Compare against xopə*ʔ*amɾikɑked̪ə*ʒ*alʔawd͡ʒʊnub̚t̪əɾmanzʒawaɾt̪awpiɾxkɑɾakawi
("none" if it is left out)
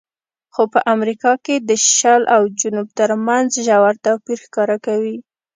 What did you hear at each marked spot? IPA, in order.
ʔ, ʃ

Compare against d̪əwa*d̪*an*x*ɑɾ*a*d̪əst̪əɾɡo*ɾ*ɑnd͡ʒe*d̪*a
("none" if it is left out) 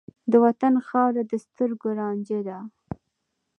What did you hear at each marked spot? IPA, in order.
t̪, x, a, ɾ, d̪

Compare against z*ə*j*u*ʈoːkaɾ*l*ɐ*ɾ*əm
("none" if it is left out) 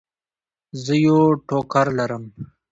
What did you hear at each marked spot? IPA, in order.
ə, o, l, ɾ

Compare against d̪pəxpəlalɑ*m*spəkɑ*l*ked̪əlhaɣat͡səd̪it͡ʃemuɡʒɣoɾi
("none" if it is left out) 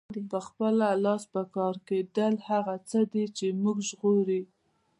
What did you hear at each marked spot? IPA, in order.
none, ɾ

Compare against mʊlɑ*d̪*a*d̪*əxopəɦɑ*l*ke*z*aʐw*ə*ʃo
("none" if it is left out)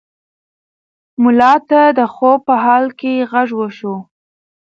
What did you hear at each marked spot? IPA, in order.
t̪, d̪, l, ɣ, ə

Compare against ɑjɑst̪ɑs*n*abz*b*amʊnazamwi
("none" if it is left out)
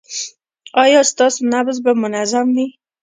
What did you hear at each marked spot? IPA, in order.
n, b

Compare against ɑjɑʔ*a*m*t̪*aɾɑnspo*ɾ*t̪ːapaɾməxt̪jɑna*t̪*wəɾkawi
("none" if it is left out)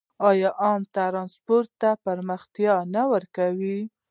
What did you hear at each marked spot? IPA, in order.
ɑ, t̪, ɾ, none

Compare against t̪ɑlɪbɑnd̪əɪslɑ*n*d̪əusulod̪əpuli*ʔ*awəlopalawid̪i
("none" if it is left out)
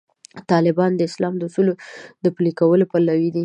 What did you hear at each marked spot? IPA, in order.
m, k

